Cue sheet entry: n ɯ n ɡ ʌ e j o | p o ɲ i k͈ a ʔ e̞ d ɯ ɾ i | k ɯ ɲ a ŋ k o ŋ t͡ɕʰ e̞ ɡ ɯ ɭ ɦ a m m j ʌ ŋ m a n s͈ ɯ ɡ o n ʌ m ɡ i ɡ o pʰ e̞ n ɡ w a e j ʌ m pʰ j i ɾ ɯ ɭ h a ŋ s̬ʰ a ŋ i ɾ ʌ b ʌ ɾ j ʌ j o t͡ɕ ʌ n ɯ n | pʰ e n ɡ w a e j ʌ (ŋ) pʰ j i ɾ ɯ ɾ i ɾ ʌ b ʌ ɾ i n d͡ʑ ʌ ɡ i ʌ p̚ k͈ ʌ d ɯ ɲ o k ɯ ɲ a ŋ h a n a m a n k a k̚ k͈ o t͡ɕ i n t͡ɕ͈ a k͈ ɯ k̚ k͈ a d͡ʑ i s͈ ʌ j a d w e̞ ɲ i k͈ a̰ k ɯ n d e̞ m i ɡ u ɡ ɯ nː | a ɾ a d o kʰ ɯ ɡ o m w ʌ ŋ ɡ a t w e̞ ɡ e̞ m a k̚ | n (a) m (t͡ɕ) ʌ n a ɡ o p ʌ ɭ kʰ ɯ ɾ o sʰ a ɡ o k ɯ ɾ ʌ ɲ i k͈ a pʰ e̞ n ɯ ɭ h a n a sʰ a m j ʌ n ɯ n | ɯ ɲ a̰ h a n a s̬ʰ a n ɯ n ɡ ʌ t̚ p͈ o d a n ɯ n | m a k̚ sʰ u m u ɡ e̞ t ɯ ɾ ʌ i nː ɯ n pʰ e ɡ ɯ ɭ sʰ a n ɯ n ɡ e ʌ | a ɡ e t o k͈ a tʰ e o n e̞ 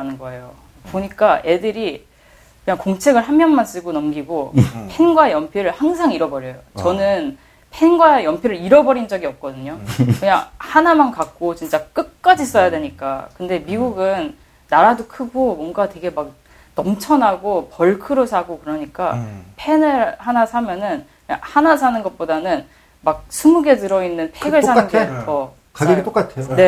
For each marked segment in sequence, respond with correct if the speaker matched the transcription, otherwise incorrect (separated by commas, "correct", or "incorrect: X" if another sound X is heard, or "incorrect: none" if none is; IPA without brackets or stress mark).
incorrect: m, incorrect: ʌ, incorrect: t͡ɕʰ